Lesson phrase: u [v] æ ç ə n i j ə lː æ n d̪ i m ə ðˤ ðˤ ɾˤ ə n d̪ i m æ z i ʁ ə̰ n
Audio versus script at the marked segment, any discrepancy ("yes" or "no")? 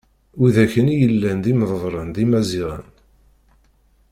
yes